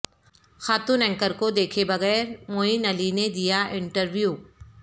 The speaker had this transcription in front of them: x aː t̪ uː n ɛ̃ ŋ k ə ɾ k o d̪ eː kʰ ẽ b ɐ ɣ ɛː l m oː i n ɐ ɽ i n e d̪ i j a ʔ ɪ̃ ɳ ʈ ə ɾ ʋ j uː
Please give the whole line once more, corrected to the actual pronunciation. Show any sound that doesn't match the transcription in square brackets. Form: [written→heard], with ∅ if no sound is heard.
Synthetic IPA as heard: x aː t̪ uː n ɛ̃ ŋ k ə ɾ k o d̪ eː kʰ [ẽ→e] b ɐ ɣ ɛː [l→ɾ] m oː i n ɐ [ɽ→l] i n e d̪ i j a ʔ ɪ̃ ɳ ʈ ə ɾ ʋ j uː